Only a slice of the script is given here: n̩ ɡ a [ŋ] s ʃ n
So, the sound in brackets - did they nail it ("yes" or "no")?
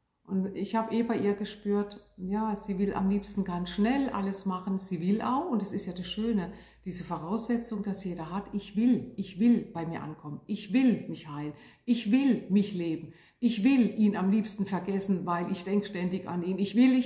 no